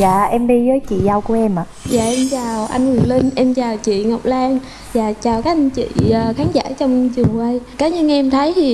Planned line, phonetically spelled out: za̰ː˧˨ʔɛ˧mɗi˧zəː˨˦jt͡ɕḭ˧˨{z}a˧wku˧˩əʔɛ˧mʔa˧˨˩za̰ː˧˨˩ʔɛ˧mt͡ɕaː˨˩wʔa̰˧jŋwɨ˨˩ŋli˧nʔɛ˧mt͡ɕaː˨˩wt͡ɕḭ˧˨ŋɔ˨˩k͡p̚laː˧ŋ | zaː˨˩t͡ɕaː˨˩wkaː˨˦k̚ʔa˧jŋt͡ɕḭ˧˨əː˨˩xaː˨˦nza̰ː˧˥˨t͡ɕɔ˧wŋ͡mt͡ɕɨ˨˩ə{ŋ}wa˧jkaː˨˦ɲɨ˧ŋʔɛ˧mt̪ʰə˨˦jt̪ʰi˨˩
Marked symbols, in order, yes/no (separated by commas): yes, yes